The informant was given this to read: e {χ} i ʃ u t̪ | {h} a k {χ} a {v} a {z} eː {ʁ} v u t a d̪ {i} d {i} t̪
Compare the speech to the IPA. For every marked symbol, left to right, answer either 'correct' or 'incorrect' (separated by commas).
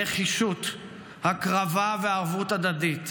correct, correct, incorrect, correct, incorrect, correct, incorrect, correct